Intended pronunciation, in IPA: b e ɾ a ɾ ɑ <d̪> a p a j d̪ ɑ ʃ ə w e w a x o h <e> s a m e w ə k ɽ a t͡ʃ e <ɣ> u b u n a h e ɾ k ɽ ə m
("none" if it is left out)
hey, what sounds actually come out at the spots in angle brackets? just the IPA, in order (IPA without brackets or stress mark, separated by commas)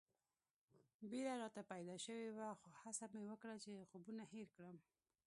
t̪, a, x